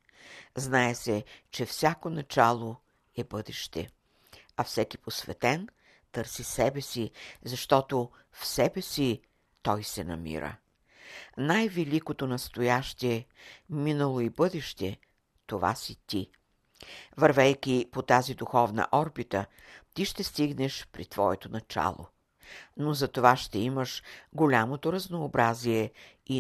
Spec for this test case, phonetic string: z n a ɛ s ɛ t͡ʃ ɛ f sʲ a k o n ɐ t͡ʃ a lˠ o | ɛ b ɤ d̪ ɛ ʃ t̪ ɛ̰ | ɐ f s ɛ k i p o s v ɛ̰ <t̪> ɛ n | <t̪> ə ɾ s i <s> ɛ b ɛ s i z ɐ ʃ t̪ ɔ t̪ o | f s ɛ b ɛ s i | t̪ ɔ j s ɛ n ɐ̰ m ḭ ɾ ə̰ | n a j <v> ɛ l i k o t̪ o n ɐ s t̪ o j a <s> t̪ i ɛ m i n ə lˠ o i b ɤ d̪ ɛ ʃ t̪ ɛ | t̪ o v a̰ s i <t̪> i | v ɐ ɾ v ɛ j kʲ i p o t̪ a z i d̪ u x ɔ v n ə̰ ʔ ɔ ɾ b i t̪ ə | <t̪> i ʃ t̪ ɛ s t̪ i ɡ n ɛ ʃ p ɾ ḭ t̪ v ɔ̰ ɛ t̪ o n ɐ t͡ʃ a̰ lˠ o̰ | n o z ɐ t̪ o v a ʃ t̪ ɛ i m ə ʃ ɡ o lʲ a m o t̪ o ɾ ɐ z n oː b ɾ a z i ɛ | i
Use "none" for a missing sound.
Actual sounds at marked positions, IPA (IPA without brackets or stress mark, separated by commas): t̪, t̪, s, v, ʃ, t̪, t̪